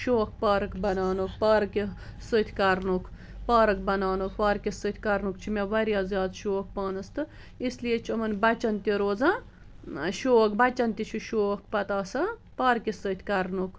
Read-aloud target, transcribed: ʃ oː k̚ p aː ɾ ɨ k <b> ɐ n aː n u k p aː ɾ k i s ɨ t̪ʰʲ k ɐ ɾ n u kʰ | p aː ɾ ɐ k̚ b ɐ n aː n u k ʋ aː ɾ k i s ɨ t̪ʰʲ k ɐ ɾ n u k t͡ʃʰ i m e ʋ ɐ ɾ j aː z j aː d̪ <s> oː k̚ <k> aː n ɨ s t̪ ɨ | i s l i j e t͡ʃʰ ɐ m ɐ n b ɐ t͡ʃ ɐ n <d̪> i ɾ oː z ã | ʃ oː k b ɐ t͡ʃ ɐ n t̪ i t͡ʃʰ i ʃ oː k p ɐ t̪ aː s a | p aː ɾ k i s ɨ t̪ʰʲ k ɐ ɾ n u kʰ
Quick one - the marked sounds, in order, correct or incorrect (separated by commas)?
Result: correct, incorrect, incorrect, incorrect